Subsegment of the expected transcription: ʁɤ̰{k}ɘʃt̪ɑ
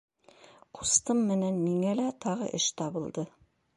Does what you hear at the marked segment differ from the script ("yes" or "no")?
yes